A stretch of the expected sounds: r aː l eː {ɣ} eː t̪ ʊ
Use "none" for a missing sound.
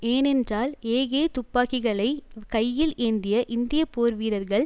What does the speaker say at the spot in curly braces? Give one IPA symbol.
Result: ɣ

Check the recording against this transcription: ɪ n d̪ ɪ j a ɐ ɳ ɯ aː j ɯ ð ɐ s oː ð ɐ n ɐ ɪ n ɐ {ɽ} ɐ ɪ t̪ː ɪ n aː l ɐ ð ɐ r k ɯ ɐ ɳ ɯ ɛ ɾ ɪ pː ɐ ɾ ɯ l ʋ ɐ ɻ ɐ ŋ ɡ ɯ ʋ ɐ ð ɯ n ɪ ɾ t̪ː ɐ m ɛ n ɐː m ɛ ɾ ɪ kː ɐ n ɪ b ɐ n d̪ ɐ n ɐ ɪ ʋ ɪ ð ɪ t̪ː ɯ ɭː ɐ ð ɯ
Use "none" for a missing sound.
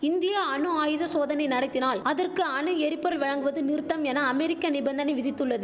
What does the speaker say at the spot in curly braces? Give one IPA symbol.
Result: ɽ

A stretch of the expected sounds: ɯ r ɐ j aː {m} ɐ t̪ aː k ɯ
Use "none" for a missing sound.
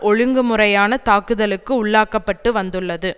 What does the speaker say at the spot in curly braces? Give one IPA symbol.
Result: n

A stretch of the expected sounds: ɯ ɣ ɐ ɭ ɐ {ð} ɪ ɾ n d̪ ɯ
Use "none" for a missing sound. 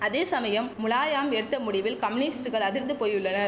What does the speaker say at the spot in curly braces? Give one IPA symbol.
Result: ð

